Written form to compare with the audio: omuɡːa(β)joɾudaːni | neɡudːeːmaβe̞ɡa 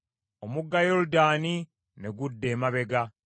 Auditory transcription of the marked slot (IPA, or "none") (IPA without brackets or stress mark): none